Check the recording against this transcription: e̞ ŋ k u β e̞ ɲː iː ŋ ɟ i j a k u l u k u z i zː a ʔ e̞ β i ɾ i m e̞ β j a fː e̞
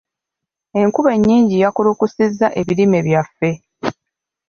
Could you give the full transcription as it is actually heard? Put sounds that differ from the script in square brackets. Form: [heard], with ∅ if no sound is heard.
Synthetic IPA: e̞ ŋ k u β e̞ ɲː iː [ɲ] ɟ i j a k u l u k u [s] i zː a ʔ e̞ β i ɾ i m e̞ β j a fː e̞